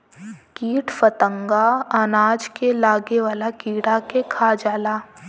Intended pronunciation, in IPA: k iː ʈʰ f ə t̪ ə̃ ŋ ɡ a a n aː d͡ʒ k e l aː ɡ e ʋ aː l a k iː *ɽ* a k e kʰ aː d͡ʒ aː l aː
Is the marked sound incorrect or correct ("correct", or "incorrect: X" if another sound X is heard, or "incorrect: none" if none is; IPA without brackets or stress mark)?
correct